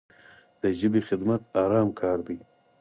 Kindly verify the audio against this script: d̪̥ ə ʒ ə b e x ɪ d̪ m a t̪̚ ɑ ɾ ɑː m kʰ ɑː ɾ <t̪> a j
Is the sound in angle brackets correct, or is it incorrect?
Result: incorrect